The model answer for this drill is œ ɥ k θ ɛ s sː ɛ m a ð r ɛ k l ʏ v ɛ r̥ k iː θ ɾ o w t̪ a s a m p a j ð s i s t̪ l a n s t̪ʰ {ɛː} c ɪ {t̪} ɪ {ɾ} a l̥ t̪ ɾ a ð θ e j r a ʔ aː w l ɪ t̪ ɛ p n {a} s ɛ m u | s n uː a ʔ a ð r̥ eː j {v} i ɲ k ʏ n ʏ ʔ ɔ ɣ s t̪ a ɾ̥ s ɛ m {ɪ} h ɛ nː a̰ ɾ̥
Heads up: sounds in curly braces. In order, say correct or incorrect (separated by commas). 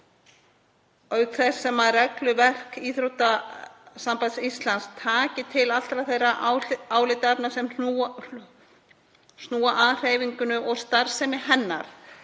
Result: incorrect, incorrect, incorrect, correct, correct, correct